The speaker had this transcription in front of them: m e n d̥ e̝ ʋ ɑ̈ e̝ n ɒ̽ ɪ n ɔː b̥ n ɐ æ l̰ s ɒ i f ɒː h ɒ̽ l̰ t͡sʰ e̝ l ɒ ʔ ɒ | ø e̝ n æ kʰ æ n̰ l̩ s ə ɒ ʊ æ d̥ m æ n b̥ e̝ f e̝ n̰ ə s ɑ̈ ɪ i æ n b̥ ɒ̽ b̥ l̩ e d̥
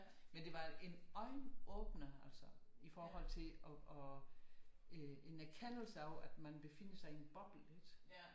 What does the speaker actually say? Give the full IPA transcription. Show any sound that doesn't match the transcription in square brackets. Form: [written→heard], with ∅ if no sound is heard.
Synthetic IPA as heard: m e n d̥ e̝ ʋ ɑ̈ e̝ n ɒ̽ ɪ n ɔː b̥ n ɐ æ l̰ s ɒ i f ɒː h ɒ̽ l̰ t͡sʰ e̝ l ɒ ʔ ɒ | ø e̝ n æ kʰ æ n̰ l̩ s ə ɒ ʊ æ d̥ m æ n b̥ e̝ f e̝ n̰ ə s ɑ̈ ɪ i [æ→e] n b̥ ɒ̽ b̥ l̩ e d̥

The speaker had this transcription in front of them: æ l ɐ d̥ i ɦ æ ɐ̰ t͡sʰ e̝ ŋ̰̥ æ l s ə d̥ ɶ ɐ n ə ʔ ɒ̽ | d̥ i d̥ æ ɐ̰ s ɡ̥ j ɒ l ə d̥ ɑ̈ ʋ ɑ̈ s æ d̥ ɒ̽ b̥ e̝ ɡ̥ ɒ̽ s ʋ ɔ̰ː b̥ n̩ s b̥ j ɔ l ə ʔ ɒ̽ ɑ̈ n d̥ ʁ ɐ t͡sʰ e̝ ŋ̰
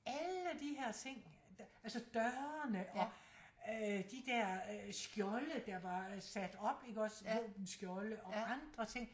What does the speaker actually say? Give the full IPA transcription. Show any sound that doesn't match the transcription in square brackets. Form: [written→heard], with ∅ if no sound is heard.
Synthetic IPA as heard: æ l [ɐ→ə] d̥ i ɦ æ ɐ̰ t͡sʰ e̝ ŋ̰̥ æ l s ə d̥ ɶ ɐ n ə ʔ ɒ̽ | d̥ i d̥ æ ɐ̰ s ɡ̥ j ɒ l ə d̥ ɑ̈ ʋ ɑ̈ s æ d̥ ɒ̽ b̥ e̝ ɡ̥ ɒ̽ s ʋ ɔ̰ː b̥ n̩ s [b̥→ɡ̥] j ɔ l ə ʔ ɒ̽ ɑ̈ n d̥ ʁ ɐ t͡sʰ e̝ ŋ̰

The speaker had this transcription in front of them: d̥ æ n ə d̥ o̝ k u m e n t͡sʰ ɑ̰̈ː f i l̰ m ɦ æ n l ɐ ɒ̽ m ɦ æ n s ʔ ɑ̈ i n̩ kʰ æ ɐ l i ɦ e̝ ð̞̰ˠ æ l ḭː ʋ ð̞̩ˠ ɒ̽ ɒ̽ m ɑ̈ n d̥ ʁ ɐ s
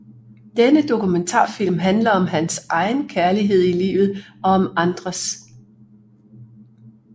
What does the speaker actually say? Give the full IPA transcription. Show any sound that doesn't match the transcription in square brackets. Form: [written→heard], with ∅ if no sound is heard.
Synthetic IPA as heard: d̥ [æ→e] n ə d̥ o̝ k u m e n t͡sʰ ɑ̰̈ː f i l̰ m ɦ æ n l ɐ ɒ̽ m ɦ æ n s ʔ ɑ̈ [i→ɪ] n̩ kʰ æ ɐ l i ɦ e̝ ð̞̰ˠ [æ→i] l ḭː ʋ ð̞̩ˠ ɒ̽ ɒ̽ m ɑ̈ n d̥ ʁ ɐ s

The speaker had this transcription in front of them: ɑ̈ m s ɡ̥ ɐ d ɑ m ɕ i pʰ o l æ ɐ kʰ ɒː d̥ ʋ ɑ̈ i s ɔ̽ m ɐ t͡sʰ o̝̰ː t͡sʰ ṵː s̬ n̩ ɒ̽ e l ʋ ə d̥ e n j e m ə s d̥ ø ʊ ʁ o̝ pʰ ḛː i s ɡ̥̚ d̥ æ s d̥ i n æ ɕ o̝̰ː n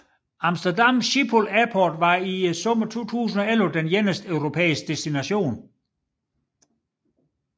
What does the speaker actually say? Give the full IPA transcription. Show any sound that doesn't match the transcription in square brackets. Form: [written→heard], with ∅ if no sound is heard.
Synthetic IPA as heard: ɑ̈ m s [ɡ̥→d̥] ɐ d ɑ m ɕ i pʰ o l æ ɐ [kʰ→pʰ] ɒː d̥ ʋ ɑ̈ i s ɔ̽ m ɐ t͡sʰ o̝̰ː t͡sʰ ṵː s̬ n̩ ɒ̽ e l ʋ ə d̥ e n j e [m→n] ə s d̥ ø ʊ ʁ o̝ pʰ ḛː i s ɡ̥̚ d̥ [æ→e] s d̥ i n æ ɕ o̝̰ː n

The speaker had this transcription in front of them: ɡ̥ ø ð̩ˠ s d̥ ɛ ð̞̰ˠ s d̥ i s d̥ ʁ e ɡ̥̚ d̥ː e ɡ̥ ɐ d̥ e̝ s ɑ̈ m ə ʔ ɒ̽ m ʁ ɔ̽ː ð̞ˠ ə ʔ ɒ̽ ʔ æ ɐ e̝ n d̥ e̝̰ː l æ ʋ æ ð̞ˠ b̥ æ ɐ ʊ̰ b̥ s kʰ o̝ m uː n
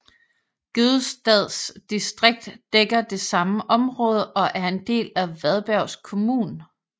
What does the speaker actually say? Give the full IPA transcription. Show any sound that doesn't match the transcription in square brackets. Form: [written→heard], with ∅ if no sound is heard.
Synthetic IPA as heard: ɡ̥ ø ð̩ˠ s d̥ ɛ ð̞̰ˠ s d̥ i s d̥ ʁ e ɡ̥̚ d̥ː e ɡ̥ ɐ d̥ e̝ s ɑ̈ m ə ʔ ɒ̽ m ʁ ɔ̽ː ð̞ˠ ə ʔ ɒ̽ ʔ æ ɐ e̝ n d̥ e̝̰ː l æ ʋ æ ð̞ˠ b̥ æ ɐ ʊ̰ [b̥→∅] s kʰ o̝ m uː n

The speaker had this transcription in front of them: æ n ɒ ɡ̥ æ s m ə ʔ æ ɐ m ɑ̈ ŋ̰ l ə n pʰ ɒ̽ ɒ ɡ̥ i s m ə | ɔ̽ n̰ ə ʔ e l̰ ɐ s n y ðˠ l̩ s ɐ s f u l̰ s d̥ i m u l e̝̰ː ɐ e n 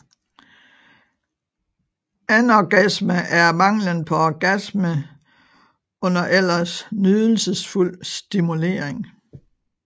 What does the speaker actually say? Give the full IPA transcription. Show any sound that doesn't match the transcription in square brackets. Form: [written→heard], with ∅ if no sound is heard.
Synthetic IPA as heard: æ n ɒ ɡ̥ æ s m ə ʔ æ ɐ m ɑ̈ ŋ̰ l ə n pʰ ɒ̽ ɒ ɡ̥ [i→æ] s m ə | ɔ̽ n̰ [ə→ɐ] ʔ e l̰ ɐ s n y ðˠ l̩ s [ɐ→ə] s f u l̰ s d̥ i m u l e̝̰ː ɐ e [n→ŋ]

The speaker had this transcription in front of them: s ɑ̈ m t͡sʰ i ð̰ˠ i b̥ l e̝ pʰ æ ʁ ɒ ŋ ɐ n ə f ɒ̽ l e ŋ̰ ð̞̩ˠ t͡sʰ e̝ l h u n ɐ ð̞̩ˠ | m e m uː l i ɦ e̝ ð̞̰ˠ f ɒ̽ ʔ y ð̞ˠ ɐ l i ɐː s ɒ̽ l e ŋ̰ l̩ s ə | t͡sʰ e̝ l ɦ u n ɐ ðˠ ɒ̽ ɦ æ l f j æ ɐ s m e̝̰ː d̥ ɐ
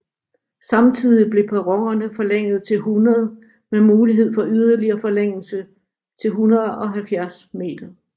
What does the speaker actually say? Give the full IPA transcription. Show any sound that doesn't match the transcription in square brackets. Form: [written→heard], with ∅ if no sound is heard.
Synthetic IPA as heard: s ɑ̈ m t͡sʰ i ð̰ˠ i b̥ l e̝ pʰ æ ʁ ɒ ŋ ɐ n ə f ɒ̽ l e ŋ̰ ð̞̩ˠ t͡sʰ e̝ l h u n ɐ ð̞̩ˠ | m e m uː l i ɦ e̝ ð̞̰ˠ f ɒ̽ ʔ y ð̞ˠ ɐ l i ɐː [s→f] ɒ̽ l e ŋ̰ l̩ s ə | t͡sʰ e̝ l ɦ u n ɐ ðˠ ɒ̽ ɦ æ l f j æ ɐ s m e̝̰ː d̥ ɐ

